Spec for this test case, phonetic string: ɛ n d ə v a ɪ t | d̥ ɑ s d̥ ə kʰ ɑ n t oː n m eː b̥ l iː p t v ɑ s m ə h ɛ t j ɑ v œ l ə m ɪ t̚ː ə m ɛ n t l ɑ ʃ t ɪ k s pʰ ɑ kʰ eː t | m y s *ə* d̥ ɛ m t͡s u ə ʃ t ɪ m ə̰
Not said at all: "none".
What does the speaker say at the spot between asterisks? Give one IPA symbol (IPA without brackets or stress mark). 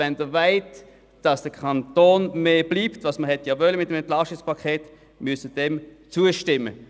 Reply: ə